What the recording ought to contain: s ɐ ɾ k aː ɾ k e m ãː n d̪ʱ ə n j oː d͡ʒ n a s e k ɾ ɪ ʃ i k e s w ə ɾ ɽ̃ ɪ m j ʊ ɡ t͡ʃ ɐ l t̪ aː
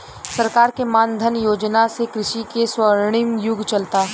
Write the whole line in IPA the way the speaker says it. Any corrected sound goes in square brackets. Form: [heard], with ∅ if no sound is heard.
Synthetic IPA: s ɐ ɾ k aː ɾ k e m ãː n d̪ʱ ə n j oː d͡ʒ n a s e k ɾ ɪ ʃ i k e s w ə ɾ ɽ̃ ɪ m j ʊ ɡ t͡ʃ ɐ l t̪ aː

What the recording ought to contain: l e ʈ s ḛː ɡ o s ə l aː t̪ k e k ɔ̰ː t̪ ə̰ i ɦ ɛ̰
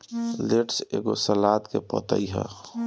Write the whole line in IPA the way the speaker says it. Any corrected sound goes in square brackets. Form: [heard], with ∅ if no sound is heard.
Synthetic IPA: l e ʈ s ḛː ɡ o s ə l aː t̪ k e [p] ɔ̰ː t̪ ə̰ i ɦ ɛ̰

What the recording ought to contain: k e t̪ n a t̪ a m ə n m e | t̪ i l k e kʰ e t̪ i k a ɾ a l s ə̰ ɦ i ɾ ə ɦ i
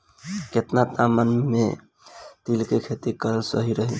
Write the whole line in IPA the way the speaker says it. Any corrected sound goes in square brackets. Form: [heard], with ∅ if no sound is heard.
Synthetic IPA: k e t̪ n a t̪ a m ə n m e | t̪ i l k e kʰ e t̪ i k [ə] ɾ [ə] l s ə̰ ɦ i ɾ ə ɦ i

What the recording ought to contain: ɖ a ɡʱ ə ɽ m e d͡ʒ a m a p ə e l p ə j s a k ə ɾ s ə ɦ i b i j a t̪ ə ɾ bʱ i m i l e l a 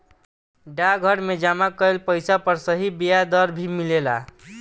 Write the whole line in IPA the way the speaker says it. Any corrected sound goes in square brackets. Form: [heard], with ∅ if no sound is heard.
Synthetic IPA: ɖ a ɡʱ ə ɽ m e d͡ʒ a m a [k] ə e l p ə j s a [p] ə ɾ s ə ɦ i b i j a [d̪] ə ɾ bʱ i m i l e l a

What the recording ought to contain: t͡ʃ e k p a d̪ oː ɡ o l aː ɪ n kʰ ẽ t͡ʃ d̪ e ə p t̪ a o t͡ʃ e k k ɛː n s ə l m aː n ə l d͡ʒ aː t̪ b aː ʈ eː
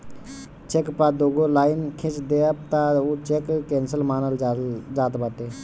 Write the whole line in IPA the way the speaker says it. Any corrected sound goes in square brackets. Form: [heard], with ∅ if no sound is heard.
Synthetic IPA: t͡ʃ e k p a d̪ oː ɡ o l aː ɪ n kʰ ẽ t͡ʃ d̪ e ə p t̪ a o t͡ʃ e k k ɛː n s ə l m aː n ə l d͡ʒ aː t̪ b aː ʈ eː

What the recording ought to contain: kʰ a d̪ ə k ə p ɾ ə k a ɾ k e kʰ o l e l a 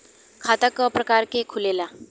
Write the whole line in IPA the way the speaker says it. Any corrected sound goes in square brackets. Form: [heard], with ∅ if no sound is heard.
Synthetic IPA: kʰ a [t̪] ə k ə p ɾ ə k a ɾ k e kʰ [u] l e l a

